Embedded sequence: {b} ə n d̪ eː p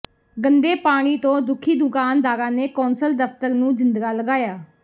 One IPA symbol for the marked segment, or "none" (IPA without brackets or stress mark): ɡ